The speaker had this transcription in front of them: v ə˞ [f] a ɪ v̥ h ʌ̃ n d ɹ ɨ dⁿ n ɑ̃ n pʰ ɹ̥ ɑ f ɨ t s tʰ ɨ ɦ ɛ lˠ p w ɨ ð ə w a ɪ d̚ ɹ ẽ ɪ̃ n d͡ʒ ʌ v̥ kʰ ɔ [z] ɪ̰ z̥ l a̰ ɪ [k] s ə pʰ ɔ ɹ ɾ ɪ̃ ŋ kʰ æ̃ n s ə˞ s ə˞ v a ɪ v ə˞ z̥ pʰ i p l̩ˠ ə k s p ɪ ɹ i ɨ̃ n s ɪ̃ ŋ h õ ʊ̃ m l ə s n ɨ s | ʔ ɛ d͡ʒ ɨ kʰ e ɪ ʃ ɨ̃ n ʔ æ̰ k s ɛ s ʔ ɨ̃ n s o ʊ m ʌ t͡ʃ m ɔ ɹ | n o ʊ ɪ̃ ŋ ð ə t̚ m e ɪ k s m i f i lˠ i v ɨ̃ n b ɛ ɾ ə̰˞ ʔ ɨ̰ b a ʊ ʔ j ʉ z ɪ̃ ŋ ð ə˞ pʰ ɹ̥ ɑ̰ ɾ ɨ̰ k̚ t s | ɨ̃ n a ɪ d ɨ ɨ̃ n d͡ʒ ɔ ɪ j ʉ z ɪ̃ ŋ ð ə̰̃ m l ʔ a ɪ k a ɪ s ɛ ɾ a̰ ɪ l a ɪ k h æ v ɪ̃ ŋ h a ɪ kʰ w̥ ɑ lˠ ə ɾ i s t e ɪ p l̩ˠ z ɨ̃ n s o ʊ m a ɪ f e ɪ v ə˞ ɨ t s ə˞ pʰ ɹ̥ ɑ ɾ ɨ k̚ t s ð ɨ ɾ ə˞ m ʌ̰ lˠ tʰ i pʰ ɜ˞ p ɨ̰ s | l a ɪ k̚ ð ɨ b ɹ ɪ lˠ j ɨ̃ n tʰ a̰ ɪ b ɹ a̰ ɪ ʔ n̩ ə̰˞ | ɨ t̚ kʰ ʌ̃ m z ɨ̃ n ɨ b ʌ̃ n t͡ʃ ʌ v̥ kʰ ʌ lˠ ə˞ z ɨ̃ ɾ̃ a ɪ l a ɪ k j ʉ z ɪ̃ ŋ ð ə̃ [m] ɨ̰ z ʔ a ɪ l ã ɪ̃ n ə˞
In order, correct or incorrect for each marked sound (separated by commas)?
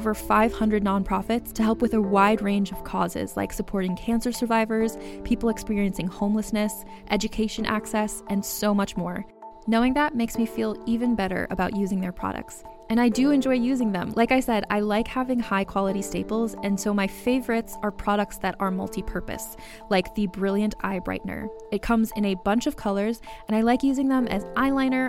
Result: correct, correct, correct, correct